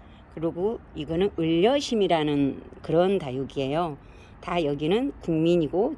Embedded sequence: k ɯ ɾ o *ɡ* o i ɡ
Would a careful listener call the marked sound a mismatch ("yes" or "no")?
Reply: no